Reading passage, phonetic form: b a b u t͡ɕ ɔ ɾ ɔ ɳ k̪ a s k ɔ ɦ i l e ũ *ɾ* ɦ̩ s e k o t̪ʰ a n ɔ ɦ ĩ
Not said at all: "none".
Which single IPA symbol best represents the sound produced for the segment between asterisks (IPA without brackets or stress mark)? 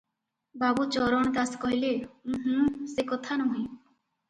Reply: none